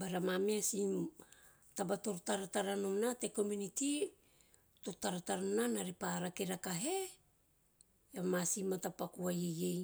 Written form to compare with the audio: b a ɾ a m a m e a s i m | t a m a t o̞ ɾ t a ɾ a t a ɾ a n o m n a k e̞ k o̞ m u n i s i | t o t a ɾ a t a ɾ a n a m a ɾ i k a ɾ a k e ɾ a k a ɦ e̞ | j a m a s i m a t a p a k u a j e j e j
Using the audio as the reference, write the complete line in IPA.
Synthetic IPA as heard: b a ɾ a m a m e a s i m | t a b a t o̞ ɾ t a ɾ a t a ɾ a n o m n a t e̞ k o̞ m u n i t i | t o t a ɾ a t a ɾ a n a n a ɾ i p a ɾ a k e ɾ a k a ɦ e̞ | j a m a s i m a t a p a k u a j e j e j